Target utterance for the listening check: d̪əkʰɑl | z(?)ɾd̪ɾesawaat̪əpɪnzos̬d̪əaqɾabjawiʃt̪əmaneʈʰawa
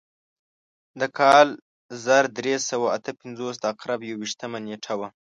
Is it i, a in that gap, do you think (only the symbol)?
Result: a